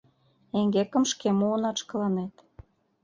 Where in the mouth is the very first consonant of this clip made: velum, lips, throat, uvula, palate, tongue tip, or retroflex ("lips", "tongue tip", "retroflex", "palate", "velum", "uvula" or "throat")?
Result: velum